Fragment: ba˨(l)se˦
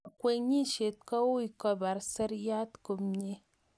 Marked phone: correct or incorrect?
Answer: incorrect